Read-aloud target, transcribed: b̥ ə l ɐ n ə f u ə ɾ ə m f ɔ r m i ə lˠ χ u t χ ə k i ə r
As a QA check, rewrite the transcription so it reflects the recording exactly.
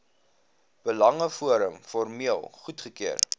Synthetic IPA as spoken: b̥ ə l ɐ ŋ ə f u ə ɾ ə m f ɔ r m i ə lˠ χ u t χ ə k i ə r